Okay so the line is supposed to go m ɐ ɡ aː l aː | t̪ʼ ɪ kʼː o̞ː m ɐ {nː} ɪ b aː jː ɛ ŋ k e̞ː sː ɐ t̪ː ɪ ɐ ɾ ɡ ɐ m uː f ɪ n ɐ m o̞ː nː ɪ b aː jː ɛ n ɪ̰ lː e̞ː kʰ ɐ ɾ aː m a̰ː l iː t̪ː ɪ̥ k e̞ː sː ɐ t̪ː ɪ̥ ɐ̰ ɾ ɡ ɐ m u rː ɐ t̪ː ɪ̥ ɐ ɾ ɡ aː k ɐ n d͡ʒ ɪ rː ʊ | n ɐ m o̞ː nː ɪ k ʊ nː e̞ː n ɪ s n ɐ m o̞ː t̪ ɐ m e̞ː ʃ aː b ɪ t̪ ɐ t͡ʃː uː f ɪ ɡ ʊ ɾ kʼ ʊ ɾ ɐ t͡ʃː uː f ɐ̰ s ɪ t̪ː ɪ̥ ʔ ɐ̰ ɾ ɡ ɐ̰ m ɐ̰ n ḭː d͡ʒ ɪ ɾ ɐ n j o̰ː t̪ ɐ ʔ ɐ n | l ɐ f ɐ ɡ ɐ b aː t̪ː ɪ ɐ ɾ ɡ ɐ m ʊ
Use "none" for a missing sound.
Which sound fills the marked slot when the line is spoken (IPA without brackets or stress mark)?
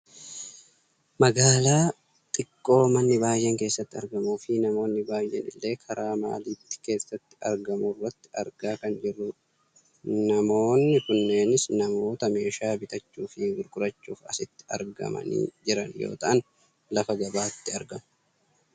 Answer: nː